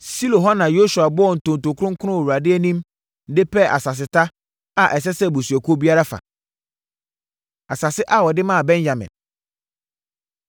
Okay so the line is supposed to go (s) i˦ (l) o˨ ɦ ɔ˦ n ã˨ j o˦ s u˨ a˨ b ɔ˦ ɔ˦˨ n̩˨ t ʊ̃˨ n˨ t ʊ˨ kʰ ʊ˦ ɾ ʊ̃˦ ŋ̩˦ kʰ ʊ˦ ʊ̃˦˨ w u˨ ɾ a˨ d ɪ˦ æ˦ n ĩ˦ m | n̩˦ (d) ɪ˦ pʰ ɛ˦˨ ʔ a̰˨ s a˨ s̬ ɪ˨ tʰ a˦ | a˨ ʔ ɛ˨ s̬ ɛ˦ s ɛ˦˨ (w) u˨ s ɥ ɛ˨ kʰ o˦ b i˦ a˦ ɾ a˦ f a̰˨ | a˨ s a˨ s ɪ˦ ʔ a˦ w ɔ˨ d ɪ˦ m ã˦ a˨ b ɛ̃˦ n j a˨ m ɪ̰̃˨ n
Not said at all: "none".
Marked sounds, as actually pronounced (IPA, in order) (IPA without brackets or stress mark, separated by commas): s, l, d, b